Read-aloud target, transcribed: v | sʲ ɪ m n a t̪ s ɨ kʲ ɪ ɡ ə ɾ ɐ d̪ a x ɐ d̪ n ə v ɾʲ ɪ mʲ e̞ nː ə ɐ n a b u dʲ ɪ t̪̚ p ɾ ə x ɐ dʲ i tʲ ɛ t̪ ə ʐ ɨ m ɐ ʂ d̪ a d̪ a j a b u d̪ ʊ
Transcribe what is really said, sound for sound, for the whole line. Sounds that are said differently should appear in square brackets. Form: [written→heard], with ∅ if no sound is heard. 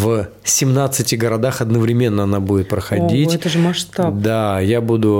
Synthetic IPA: v | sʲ ɪ m n a t̪ s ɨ [kʲ→tʲ] ɪ ɡ ə ɾ ɐ d̪ a x ɐ d̪ n ə v ɾʲ ɪ mʲ e̞ nː ə ɐ n a b u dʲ ɪ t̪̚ p ɾ ə x ɐ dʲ i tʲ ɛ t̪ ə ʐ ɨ m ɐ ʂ [d̪→t̪] a d̪ a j a b u d̪ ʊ